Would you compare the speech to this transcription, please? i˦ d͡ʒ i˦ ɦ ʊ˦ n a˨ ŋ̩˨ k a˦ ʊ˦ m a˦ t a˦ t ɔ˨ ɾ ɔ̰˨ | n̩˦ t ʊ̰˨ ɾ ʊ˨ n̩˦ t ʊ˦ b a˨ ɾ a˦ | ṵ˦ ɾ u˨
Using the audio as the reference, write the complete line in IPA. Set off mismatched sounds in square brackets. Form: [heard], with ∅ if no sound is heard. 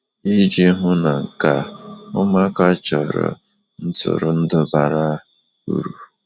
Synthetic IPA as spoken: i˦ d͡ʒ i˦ ɦ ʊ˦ n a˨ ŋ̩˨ k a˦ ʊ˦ m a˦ [k] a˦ [t͡ʃ] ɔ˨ ɾ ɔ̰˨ | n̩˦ t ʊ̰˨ ɾ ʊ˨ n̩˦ [d] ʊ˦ b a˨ ɾ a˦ | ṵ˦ ɾ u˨